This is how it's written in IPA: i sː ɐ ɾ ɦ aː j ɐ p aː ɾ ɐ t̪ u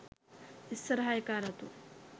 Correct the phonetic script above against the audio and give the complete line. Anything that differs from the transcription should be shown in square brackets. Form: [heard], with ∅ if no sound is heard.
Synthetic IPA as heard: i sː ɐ ɾ ɦ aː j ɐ [k] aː ɾ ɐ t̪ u